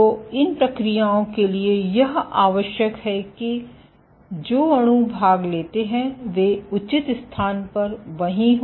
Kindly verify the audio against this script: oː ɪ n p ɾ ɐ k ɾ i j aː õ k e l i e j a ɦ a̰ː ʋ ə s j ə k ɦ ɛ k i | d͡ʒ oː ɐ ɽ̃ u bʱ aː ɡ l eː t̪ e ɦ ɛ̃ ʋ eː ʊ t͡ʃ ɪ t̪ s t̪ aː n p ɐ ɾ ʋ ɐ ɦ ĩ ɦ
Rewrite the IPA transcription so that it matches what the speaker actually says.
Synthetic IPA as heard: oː ɪ n p ɾ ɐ k ɾ i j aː õ k e l i e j ɐ ɦ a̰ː ʋ ə ʃ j ə k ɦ ɛ k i | d͡ʒ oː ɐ ɽ̃ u bʱ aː ɡ l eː t̪ e ɦ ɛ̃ ʋ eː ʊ t͡ʃ ɪ t̪ s t̪ʰ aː n p ɐ ɾ ʋ ɐ ɦ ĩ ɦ